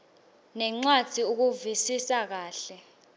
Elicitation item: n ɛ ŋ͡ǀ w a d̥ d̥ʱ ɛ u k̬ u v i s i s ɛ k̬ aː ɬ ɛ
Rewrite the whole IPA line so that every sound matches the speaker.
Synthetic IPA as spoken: n ɛ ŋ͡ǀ w a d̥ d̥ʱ i u k̬ u v i s i s a k̬ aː ɬ ɛ